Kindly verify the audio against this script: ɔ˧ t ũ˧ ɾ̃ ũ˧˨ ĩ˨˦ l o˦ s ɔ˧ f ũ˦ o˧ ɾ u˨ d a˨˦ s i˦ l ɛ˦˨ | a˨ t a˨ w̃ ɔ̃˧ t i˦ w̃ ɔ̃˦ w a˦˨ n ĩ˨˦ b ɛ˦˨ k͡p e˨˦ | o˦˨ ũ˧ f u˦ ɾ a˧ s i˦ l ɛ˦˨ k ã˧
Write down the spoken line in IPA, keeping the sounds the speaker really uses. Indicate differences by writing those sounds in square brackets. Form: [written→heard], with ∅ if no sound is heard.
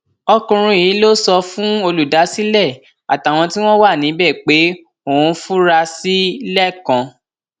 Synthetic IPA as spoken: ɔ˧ [t→k] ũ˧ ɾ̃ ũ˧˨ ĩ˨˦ l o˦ s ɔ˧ f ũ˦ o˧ [ɾ→l] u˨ d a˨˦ s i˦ l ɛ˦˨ | a˨ t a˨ w̃ ɔ̃˧ t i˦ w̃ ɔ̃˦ w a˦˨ n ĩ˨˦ b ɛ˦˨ k͡p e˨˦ | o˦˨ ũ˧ f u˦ ɾ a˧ s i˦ l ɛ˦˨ k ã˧